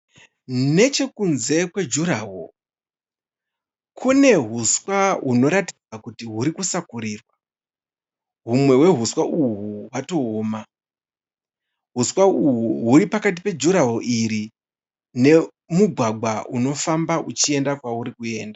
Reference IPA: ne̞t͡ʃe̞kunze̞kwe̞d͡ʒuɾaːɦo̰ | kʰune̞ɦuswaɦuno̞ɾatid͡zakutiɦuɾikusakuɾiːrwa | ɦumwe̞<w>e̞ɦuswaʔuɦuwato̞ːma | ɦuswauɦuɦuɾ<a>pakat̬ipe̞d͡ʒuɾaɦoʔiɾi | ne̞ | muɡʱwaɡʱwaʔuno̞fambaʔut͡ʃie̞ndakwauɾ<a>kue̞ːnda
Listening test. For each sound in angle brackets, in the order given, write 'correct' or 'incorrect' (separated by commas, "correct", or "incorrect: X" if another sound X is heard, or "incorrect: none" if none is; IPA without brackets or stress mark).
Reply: correct, incorrect: i, incorrect: i